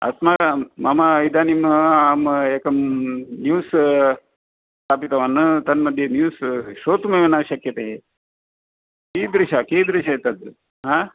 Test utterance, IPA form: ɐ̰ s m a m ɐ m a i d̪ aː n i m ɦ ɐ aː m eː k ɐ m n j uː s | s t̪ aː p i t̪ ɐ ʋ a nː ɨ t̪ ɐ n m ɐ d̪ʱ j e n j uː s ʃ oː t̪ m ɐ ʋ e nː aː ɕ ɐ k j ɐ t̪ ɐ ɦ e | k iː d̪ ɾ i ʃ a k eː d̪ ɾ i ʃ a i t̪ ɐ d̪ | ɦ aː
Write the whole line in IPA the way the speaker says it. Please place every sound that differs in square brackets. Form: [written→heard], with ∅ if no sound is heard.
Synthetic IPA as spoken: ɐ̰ s m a m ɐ m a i d̪ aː n i m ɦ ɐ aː m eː k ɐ m n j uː s | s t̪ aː p i t̪ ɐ ʋ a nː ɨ t̪ ɐ n m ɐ d̪ʱ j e n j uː s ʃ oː t̪ m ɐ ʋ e [nː→n] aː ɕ ɐ k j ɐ t̪ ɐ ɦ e | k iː d̪ ɾ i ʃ a k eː d̪ ɾ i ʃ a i t̪ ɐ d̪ | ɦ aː